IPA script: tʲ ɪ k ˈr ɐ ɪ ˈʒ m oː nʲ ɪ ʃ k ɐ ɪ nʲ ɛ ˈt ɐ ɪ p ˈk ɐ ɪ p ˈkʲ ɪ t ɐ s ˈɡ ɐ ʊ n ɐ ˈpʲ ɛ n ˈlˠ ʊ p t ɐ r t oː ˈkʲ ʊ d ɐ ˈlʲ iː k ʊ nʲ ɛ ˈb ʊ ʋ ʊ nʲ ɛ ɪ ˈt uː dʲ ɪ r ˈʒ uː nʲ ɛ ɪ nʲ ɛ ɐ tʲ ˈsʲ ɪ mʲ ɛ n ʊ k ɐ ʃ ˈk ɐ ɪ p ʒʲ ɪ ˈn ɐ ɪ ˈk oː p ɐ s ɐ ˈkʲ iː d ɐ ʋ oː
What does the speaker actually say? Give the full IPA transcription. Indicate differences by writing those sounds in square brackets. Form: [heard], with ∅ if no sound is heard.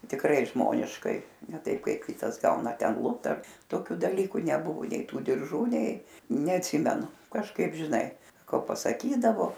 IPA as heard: tʲ ɪ k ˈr ɐ ɪ ˈʒ m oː nʲ ɪ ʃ k ɐ ɪ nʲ ɛ ˈt ɐ ɪ p ˈk ɐ ɪ p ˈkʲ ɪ t ɐ s ˈɡ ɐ ʊ n ɐ [ˈtʲ] ɛ n ˈlˠ ʊ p t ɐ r t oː ˈkʲ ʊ d ɐ ˈlʲ iː k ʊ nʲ ɛ ˈb ʊ ʋ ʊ nʲ ɛ ɪ ˈt uː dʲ ɪ r ˈʒ uː nʲ ɛ ɪ nʲ ɛ ɐ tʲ ˈsʲ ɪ mʲ ɛ n ʊ k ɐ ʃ ˈk ɐ ɪ p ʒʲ ɪ ˈn ɐ ɪ ˈk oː p ɐ s ɐ ˈkʲ iː d ɐ ʋ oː

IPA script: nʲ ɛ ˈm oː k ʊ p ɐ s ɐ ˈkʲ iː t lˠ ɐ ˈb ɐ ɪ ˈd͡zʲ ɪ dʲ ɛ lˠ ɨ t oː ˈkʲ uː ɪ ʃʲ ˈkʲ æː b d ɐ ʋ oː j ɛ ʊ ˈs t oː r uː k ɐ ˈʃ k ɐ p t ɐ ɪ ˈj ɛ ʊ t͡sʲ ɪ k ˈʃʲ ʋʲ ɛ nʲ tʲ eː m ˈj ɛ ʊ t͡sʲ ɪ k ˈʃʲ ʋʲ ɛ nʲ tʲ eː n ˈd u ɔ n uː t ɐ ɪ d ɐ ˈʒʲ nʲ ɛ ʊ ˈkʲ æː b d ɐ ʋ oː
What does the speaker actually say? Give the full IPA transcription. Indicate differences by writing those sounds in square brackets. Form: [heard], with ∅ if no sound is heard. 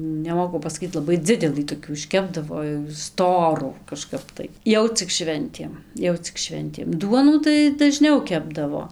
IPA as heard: nʲ ɛ ˈm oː k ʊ p ɐ s ɐ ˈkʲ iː t lˠ ɐ ˈb ɐ ɪ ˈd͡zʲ ɪ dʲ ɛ lˠ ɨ t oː ˈkʲ uː ɪ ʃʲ ˈkʲ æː b d ɐ ʋ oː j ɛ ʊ ˈs t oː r uː k ɐ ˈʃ k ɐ p t ɐ ɪ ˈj ɛ ʊ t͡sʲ ɪ k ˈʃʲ ʋʲ ɛ nʲ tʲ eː m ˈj ɛ ʊ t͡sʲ ɪ k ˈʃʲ ʋʲ ɛ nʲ tʲ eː [m] ˈd u ɔ n uː t ɐ ɪ d ɐ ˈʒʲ nʲ ɛ ʊ ˈkʲ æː b d ɐ ʋ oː

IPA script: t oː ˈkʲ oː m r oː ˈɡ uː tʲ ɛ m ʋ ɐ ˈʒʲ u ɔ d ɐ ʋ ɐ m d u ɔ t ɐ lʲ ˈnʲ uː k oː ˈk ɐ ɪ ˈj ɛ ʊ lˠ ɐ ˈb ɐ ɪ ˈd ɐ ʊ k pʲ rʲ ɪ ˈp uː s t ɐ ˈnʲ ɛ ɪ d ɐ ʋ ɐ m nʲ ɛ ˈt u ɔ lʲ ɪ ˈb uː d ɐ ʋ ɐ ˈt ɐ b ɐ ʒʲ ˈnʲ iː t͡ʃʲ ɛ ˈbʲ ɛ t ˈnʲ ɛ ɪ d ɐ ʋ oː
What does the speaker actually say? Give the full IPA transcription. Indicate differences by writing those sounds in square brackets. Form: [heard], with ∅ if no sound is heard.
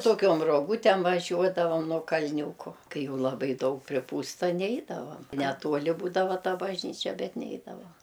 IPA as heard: t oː ˈkʲ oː m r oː ˈɡ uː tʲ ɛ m ʋ ɐ ˈʒʲ u ɔ d ɐ ʋ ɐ m [n] u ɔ [k] ɐ lʲ ˈnʲ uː k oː ˈk ɐ ɪ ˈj ɛ ʊ lˠ ɐ ˈb ɐ ɪ ˈd ɐ ʊ k pʲ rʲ ɪ ˈp uː s t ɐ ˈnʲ ɛ ɪ d ɐ ʋ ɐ m nʲ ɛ ˈt u ɔ lʲ ɪ ˈb uː d ɐ ʋ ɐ ˈt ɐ b ɐ ʒʲ ˈnʲ iː t͡ʃʲ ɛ ˈbʲ ɛ t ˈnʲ ɛ ɪ d ɐ ʋ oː

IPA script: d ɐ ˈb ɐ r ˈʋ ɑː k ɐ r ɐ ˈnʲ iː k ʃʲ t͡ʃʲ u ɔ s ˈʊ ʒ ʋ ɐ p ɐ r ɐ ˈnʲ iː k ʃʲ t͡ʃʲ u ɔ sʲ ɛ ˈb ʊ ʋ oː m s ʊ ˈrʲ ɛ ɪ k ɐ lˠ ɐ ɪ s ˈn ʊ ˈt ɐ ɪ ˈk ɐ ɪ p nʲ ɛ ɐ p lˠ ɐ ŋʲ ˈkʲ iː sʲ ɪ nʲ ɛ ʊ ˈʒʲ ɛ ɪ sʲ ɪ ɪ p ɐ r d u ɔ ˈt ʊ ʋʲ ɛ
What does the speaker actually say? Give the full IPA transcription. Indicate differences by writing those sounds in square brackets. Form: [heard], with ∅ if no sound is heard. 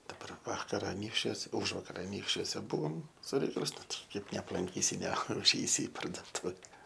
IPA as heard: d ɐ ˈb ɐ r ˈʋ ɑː k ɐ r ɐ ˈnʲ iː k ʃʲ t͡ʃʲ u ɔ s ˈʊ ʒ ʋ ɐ [k] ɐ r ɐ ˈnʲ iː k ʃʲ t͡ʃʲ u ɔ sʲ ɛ ˈb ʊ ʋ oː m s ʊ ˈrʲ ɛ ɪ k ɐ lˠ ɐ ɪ s ˈn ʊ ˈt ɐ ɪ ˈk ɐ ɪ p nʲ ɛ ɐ p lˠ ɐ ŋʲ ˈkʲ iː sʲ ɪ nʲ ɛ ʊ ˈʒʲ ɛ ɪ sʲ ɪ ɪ p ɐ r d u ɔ ˈt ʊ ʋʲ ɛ

